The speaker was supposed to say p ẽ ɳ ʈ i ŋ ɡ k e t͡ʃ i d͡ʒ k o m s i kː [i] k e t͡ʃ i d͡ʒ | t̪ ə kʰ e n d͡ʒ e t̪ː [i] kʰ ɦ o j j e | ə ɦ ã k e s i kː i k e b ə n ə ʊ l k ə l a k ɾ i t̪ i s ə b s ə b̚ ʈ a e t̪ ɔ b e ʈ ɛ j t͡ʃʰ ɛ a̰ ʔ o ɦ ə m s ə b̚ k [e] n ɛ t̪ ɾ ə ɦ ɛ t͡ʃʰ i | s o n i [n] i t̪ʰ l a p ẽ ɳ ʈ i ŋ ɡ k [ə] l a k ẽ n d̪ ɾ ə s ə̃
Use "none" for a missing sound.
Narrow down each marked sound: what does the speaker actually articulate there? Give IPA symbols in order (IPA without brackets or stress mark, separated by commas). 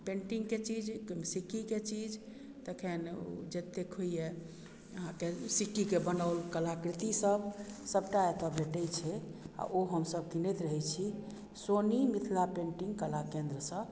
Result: i, e, i, m, ə